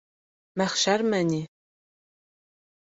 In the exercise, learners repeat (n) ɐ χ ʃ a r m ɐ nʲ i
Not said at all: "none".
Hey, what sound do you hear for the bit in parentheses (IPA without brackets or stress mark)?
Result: m